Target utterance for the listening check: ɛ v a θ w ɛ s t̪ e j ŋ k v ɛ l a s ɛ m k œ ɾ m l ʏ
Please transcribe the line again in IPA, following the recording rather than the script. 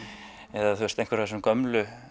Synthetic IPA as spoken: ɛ ð a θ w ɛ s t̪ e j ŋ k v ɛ ɾ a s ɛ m k œ m l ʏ